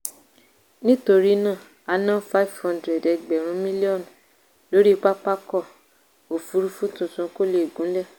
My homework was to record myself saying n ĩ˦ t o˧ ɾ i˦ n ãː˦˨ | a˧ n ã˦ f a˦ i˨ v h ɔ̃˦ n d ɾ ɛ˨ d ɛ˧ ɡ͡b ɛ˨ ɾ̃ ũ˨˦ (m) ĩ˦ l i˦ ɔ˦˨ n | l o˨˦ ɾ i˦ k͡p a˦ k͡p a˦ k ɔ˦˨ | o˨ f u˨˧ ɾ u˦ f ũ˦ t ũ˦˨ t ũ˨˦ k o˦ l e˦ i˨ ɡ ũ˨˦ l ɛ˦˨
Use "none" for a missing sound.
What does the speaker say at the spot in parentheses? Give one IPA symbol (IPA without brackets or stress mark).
m